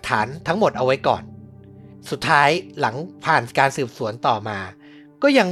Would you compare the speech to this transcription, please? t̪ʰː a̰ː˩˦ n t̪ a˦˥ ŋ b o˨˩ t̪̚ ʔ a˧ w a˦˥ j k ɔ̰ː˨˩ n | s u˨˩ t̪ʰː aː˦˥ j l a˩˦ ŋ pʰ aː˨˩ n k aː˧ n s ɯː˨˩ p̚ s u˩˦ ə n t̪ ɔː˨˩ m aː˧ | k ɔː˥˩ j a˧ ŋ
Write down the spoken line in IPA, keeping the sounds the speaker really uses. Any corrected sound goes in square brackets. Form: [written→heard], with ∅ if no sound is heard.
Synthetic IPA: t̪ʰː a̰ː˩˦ n [t̪→t̪ʰ] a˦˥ ŋ [b→m] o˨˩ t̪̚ ʔ a˧ w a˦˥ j k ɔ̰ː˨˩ n | s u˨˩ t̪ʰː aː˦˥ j l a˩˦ ŋ pʰ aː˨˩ n k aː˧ n s ɯː˨˩ p̚ s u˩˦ ə n t̪ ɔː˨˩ m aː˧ | k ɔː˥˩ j a˧ ŋ